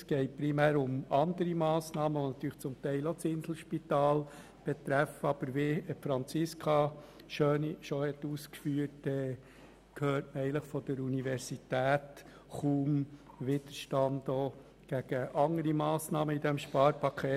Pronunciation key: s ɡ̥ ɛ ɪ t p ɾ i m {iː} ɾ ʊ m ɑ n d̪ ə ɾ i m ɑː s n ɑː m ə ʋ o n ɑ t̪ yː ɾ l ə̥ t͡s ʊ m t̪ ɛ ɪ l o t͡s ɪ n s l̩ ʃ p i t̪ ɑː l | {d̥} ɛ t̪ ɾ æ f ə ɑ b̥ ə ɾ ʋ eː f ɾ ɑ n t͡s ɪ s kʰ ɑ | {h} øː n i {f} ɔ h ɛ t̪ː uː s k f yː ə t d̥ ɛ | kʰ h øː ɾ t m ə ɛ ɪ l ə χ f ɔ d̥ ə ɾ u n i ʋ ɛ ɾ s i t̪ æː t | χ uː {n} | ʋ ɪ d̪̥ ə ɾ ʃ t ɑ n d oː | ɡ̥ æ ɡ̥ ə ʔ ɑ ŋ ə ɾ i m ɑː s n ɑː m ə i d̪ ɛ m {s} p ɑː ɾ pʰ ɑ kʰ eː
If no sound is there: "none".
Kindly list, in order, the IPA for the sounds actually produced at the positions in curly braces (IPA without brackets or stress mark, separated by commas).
æː, b̥, ʃ, ʃ, m, ʃ